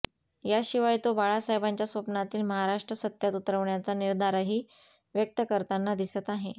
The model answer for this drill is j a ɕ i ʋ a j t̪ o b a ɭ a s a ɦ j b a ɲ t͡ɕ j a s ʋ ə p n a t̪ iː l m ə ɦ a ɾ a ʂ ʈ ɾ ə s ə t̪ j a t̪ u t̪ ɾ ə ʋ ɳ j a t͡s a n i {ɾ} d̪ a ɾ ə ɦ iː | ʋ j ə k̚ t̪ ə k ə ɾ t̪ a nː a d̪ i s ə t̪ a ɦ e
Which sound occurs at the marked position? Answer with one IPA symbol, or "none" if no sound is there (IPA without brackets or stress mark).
ɾ